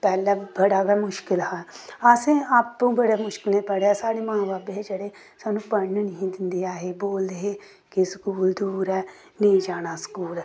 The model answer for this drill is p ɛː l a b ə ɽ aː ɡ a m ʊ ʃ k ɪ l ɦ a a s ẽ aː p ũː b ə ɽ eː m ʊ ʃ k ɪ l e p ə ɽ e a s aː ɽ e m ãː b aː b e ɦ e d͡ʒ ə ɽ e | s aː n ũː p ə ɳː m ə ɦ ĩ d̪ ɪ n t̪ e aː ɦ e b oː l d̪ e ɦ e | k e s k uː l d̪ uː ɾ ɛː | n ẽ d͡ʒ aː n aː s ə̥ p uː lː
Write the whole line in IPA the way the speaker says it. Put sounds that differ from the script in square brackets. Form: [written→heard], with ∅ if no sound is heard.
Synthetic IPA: p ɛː l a b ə ɽ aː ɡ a m ʊ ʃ k ɪ l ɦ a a s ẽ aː p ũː b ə ɽ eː m ʊ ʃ k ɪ l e p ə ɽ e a s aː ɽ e m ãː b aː b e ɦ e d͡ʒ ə ɽ e | s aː n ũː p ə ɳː [m→n] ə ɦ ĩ d̪ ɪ n [t̪→d̪] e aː ɦ e b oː l d̪ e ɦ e | k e s k uː l d̪ uː ɾ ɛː | n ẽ d͡ʒ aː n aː s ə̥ [p→k] uː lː